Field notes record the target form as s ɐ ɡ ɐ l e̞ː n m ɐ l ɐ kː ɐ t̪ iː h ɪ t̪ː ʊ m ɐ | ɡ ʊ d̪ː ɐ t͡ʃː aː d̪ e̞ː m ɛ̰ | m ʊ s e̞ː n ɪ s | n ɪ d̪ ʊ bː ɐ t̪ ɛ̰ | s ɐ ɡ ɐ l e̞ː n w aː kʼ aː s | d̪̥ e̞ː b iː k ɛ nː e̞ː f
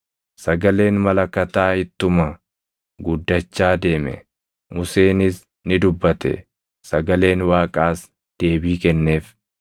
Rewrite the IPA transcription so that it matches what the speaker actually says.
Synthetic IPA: s ɐ ɡ ɐ l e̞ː n m ɐ l ɐ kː ɐ t̪ aː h ɪ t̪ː ʊ m ɐ | ɡ ʊ d̪ː ɐ t͡ʃː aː d̪ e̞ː m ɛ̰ | m ʊ s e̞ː n ɪ s | n ɪ d̪ ʊ bː ɐ t̪ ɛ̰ | s ɐ ɡ ɐ l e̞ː n w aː kʼ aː s | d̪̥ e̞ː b iː k ɛ nː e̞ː f